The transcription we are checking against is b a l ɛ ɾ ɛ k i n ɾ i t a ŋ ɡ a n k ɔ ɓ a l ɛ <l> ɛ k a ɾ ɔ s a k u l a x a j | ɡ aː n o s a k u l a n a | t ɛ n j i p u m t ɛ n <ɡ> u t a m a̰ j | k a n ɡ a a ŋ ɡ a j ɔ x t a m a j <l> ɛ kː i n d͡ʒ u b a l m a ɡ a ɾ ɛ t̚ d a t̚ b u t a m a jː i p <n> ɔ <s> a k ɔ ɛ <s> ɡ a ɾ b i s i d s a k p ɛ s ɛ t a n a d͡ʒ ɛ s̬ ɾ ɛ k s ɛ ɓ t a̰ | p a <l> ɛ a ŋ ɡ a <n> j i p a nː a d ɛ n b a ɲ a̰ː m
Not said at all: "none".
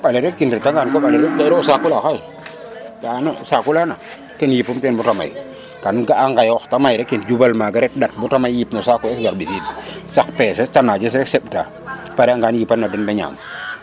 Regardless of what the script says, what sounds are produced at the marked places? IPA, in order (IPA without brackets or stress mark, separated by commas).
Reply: ɾ, b, ɾ, n, s, s, ɾ, n